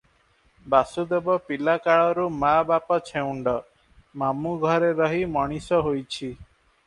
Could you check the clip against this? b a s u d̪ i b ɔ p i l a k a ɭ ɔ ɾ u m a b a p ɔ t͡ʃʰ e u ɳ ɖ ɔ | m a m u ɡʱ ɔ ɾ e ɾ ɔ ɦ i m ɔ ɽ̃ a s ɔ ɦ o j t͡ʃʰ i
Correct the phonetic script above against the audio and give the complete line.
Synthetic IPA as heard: b a s u d̪ e b ɔ p i l a k a ɭ ɔ ɾ u m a b a p ɔ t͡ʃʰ e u ɳ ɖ ɔ | m a m u ɡʱ ɔ ɾ e ɾ ɔ ɦ i m ɔ ɽ̃ i s ɔ ɦ o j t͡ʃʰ i